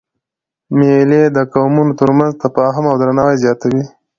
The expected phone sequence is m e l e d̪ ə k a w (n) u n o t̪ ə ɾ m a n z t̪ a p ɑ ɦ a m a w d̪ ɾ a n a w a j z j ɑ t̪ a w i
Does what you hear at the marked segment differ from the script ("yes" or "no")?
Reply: yes